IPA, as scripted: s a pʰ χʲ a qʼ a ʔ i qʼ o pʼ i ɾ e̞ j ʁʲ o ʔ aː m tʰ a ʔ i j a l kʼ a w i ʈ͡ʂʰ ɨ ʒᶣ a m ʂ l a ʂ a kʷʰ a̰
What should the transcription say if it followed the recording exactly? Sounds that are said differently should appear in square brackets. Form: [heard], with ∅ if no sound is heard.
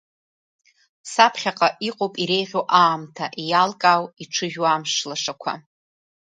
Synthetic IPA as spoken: s a pʰ χʲ a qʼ a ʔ i qʼ o pʼ i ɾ e̞ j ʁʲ o ʔ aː m tʰ a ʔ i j a l kʼ a w i ʈ͡ʂʰ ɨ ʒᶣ a m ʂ l a ʂ a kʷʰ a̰